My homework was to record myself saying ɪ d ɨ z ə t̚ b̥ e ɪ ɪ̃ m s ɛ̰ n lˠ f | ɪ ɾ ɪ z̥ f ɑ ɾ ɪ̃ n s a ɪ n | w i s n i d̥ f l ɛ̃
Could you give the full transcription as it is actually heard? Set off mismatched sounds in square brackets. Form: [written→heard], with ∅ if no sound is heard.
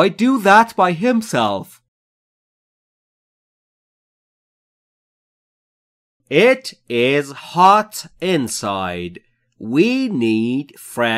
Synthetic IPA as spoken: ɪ d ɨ [z→ð] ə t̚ b̥ [e→a] ɪ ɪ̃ m s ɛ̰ [n→∅] lˠ f | ɪ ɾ ɪ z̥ [f→h] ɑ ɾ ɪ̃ n s a ɪ [n→d] | w i [s→∅] n i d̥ f [l→ɹ] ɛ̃